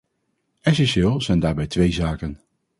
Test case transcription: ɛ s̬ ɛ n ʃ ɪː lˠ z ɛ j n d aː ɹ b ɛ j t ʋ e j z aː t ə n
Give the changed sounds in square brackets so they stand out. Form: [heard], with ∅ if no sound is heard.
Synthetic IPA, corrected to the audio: ɛ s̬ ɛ n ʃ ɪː lˠ z ɛ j n d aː ɹ b ɛ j t ʋ e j z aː [k] ə n

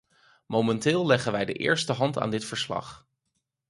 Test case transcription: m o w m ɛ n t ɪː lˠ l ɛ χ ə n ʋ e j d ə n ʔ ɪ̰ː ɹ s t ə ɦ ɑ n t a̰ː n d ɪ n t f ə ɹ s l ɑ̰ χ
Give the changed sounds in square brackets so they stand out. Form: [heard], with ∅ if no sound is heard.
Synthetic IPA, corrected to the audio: m o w m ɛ n t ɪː lˠ l ɛ χ ə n ʋ [ɛ] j d ə [∅] ʔ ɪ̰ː ɹ s t ə ɦ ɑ n t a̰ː n d ɪ [∅] t f ə ɹ s l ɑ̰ χ

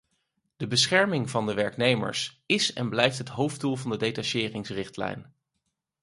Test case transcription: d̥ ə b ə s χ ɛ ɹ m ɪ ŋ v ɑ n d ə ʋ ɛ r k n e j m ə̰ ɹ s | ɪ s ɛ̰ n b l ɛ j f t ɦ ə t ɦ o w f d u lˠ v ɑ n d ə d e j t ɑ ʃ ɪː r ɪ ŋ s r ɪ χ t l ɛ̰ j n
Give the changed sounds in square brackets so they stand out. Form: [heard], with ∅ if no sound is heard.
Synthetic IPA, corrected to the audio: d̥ ə b ə s χ ɛ ɹ m ɪ ŋ v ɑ n d ə ʋ ɛ [ɹ] k n e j m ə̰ ɹ s | ɪ s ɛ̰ n b l ɛ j f t ɦ ə t ɦ o w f d u lˠ v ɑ n d ə d e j t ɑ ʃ ɪː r ɪ ŋ s r ɪ χ t l ɛ̰ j n

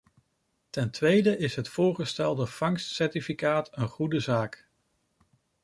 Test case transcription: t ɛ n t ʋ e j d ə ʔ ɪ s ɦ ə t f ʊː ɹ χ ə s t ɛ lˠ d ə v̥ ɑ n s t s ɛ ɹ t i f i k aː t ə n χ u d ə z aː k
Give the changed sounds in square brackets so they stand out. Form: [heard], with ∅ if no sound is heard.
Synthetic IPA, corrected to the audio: t ɛ n t ʋ e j d ə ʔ ɪ s ɦ ə t f ʊː ɹ χ ə s t ɛ lˠ d ə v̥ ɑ [ŋ] s t s ɛ ɹ t i f i k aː t ə n χ u d ə z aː k

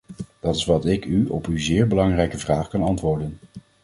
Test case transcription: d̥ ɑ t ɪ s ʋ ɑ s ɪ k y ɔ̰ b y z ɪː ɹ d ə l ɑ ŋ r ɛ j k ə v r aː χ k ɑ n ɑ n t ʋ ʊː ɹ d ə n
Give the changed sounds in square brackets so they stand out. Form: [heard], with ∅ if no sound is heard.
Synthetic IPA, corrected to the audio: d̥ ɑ t ɪ s ʋ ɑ [t] ɪ k y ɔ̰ [p] y z ɪː ɹ [b] ə l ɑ ŋ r ɛ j k ə v r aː χ k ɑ n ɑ n t ʋ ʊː ɹ d ə n

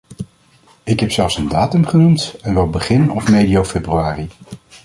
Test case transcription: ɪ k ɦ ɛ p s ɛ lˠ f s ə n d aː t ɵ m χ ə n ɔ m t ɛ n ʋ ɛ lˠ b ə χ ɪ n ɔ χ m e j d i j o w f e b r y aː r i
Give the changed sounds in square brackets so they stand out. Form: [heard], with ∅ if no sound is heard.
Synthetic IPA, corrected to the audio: ɪ k ɦ ɛ p s ɛ lˠ f s ə n d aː t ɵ m χ ə n [u] m t ɛ n ʋ ɛ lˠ b ə χ ɪ n ɔ [f] m e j d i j o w f e b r y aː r i

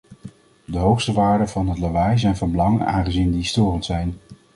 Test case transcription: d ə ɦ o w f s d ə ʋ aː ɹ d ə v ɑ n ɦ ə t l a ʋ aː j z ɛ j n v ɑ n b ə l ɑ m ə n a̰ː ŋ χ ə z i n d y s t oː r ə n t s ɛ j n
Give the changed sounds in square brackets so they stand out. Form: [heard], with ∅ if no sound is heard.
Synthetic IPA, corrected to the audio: d ə ɦ o w [χ] s [t] ə ʋ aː ɹ d ə v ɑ n ɦ ə t l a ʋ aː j z ɛ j n v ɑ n b ə l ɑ [ŋ] ə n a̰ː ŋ χ ə z i n d [i] s t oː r ə n t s ɛ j n

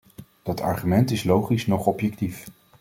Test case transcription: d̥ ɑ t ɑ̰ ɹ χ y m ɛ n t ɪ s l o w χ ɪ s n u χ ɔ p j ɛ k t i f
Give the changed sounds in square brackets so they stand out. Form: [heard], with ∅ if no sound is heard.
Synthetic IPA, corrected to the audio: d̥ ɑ t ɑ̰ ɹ χ y m ɛ n t ɪ s l o w χ [i] s n [ɔ] χ ɔ p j ɛ k t i f

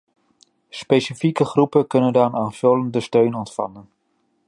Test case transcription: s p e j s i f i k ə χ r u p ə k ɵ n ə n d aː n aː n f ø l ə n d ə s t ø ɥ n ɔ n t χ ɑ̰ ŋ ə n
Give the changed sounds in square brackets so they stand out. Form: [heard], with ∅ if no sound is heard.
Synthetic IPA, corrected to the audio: s p e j s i f i k ə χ r u p ə k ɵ n ə n d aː n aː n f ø l ə n d ə s t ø ɥ n ɔ n t [f] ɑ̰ [n] ə n

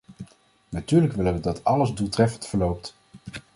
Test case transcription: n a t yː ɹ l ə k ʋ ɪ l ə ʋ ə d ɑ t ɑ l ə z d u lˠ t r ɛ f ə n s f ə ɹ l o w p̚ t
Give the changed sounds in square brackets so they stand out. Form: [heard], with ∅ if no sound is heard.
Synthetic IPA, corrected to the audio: n a t yː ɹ l ə k ʋ ɪ l ə ʋ ə d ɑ t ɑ l ə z d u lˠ t r ɛ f ə n [t] f ə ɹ l o w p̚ t

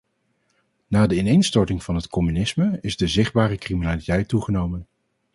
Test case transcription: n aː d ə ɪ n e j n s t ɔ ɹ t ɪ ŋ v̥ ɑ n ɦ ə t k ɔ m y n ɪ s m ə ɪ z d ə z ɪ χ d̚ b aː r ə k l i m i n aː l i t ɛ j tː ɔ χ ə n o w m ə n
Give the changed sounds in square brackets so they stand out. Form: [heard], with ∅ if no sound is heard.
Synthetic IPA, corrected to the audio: n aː d ə ɪ n e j n s t ɔ ɹ t ɪ ŋ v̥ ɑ n ɦ ə t k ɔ m y n ɪ s m ə ɪ z d ə z ɪ χ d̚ b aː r ə k [r] i m i n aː l i t ɛ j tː [u] χ ə n o w m ə n

